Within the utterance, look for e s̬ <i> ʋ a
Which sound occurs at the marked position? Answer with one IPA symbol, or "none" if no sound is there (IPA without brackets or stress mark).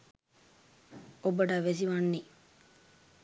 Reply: i